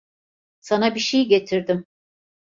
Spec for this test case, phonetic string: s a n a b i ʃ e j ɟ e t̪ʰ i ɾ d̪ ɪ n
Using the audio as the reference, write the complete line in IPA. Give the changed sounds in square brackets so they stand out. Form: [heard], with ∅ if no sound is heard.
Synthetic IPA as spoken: s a n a b i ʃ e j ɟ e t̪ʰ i ɾ d̪ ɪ [m]